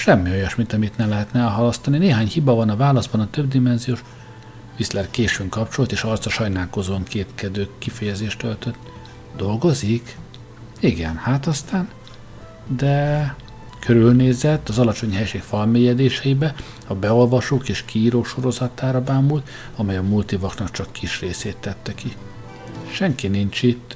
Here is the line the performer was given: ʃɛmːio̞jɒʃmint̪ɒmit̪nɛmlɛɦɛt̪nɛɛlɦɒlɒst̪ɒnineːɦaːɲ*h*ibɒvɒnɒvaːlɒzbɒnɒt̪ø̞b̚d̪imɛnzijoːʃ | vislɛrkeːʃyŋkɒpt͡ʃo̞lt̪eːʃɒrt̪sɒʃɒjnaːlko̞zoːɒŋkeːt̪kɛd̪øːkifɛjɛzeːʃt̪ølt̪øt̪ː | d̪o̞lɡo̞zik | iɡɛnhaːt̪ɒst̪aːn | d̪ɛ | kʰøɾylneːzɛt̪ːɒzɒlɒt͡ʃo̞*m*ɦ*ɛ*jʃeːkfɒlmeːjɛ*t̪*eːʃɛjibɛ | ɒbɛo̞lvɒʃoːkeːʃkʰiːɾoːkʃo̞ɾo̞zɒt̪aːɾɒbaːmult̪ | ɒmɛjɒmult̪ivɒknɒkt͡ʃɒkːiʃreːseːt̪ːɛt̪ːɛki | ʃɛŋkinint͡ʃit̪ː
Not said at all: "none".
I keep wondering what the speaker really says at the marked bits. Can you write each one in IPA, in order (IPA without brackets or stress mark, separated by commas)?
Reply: h, ɲ, ɛ, d̪